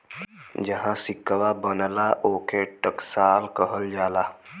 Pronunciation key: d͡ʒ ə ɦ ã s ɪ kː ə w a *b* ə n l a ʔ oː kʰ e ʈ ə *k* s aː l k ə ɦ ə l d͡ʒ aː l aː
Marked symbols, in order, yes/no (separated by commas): yes, yes